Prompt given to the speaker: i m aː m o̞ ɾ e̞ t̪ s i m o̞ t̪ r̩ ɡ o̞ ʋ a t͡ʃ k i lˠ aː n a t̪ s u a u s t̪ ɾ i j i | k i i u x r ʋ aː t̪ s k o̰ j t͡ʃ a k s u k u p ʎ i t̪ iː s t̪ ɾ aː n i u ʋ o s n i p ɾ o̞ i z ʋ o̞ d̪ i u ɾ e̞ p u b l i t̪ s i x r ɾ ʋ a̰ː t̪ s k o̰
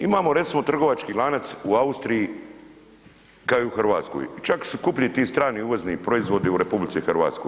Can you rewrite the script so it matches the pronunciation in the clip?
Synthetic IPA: i m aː m o̞ ɾ e̞ t̪ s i m o̞ t̪ r̩ ɡ o̞ ʋ a t͡ʃ k i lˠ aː n a t̪ s u a u s t̪ ɾ i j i | k a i u x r ʋ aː t̪ s k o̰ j t͡ʃ a k s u k u p ʎ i t̪ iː s t̪ ɾ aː n i u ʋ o z n i p ɾ o̞ i z ʋ o̞ d̪ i u ɾ e̞ p u b l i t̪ s i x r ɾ ʋ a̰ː t̪ s k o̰